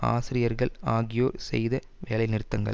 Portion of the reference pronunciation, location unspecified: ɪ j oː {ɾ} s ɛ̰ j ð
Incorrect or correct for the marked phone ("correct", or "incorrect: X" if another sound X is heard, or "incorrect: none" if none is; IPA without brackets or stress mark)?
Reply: correct